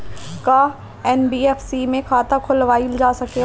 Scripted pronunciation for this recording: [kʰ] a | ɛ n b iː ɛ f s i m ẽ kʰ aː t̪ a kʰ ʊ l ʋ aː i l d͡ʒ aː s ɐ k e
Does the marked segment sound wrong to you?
yes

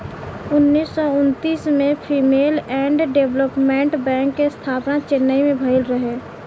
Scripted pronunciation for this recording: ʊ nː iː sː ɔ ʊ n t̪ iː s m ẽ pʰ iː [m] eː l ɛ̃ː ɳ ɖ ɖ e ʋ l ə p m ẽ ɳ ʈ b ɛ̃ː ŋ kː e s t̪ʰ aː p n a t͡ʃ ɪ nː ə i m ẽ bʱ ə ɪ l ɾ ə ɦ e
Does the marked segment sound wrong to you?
no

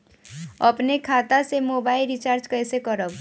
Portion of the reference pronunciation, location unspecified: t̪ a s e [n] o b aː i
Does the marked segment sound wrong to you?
yes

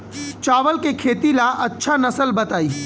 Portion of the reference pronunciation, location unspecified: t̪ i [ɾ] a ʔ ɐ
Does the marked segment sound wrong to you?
yes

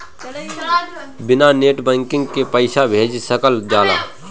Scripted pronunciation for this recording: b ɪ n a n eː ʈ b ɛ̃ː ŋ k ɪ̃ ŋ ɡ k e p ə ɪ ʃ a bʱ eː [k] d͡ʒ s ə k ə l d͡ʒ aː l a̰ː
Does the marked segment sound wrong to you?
yes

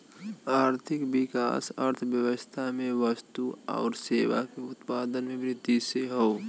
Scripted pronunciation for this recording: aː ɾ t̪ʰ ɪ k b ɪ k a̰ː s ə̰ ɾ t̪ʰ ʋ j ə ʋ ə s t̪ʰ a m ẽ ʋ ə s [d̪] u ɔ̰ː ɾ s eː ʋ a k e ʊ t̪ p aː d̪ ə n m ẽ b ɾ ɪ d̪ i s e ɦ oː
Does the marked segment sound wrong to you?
yes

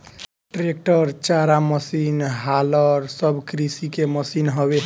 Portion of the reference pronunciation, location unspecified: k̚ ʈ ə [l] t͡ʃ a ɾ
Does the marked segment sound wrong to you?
yes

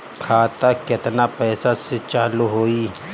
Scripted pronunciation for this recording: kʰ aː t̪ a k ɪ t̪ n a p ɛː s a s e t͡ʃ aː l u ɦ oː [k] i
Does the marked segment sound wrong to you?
yes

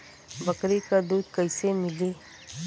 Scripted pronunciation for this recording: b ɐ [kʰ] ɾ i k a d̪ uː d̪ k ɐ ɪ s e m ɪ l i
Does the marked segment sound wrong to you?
yes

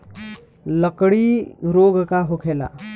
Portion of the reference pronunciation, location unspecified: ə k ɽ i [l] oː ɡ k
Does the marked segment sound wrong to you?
yes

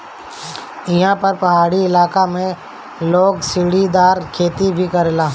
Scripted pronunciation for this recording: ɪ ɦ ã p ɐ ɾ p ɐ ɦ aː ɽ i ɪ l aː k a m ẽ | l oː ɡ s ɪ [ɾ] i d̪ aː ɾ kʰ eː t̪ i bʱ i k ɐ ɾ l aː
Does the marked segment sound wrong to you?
yes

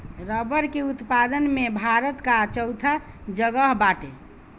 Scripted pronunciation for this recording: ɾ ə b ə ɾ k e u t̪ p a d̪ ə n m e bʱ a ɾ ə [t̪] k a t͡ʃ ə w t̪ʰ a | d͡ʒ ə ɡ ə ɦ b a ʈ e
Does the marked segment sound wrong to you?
no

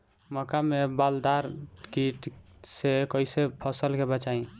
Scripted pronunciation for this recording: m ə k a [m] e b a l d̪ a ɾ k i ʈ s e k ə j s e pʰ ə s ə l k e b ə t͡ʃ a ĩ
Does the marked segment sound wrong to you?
no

